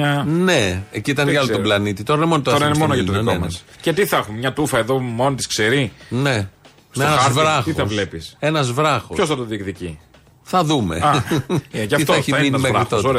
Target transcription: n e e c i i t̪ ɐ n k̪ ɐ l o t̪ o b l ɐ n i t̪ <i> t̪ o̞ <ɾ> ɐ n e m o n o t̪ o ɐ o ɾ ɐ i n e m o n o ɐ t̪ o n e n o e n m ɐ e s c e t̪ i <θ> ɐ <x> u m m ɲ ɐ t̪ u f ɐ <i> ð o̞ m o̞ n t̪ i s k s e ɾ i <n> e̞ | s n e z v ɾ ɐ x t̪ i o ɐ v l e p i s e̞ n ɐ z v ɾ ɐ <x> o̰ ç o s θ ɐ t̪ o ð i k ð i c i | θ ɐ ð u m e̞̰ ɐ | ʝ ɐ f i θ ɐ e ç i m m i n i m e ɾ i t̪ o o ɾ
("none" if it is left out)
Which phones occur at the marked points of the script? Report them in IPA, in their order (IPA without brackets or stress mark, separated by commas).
i, ɾ, θ, x, e, n, x